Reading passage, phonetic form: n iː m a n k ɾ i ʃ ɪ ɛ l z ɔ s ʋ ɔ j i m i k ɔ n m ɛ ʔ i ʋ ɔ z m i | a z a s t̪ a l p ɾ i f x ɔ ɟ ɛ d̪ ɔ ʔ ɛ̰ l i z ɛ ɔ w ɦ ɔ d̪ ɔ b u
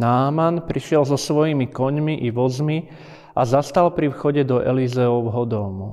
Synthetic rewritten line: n aː m a n p ɾ i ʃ ɪ ɛ l z ɔ s ʋ ɔ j i m i k ɔ ɲ m i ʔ i ʋ ɔ z m i | a z a s t̪ a l p ɾ i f x ɔ ɟ ɛ d̪ ɔ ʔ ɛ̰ l i z ɛ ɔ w ɦ ɔ d̪ ɔ m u